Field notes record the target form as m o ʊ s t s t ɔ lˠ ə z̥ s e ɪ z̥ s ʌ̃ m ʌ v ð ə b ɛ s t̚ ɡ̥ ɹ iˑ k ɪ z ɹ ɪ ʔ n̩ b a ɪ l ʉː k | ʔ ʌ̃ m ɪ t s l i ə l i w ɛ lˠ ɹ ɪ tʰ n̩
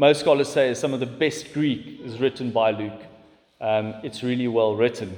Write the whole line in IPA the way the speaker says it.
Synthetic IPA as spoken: m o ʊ s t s k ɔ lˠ ə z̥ s e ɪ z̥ s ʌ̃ m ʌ v ð ə b ɛ s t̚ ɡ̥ ɹ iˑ k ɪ z ɹ ɪ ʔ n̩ b a ɪ l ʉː k | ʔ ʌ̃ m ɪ t s ɹ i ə l i w ɛ lˠ ɹ ɪ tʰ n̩